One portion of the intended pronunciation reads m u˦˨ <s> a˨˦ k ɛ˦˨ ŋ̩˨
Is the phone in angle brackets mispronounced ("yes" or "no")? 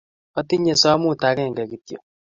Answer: yes